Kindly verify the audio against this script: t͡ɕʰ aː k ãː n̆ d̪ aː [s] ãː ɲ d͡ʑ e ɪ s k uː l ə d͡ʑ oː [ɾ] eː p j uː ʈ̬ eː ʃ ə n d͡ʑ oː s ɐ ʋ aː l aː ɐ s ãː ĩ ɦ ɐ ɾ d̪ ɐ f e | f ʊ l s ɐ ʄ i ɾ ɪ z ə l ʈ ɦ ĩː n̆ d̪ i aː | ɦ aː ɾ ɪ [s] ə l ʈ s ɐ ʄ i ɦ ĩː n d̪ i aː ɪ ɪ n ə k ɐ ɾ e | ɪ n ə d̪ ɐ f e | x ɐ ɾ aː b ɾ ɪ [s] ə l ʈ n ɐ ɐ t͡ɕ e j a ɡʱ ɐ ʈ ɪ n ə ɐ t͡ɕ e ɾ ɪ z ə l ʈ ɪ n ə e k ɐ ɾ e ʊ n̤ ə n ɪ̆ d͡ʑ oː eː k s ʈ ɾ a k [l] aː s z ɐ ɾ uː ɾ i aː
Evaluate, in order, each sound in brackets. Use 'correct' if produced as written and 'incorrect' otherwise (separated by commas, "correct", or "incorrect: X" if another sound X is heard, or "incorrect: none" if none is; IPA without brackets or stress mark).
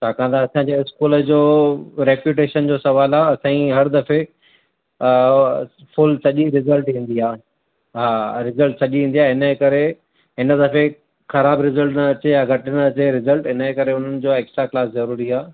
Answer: correct, correct, incorrect: z, incorrect: z, correct